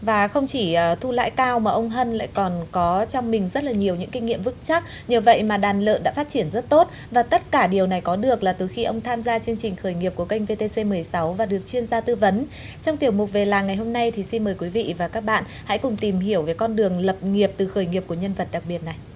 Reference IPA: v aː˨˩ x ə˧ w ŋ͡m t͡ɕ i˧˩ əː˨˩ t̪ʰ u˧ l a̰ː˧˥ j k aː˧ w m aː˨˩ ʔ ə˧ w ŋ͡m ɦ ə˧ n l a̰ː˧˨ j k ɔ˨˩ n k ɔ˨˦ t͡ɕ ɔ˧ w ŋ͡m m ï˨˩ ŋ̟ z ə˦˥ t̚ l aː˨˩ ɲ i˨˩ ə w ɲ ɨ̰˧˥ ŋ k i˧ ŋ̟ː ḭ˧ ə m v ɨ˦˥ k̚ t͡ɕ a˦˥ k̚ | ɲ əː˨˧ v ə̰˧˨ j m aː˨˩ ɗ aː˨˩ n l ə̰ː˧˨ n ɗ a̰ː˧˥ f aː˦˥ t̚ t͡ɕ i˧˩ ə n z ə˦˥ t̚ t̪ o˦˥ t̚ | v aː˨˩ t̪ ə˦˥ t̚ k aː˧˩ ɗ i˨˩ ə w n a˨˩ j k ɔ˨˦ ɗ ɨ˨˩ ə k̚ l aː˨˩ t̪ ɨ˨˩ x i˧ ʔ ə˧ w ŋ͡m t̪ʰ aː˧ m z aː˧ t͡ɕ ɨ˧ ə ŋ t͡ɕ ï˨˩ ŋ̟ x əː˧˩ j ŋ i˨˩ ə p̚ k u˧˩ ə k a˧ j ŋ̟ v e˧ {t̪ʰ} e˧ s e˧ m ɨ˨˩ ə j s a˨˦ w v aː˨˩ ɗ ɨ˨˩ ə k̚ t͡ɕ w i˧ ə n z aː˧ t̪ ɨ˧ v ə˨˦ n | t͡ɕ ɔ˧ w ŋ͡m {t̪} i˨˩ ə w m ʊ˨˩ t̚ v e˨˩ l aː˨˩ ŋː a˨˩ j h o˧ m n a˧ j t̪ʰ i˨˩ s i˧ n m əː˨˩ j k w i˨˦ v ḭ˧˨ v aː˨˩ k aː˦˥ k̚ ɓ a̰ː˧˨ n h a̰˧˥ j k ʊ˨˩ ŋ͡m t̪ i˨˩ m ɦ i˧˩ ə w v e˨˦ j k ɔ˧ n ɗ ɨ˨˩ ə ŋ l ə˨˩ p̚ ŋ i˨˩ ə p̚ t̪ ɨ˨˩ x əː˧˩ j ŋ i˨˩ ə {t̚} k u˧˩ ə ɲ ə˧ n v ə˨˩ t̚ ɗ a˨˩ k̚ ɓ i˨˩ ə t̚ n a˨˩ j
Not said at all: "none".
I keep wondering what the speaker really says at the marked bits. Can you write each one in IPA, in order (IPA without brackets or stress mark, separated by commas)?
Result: t̪, t̪, p̚